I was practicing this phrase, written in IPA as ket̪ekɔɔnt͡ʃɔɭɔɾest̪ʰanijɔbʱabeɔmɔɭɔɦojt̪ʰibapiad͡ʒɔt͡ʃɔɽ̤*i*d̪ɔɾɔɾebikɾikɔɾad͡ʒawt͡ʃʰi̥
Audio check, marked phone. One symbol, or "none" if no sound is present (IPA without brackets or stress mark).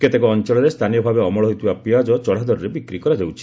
a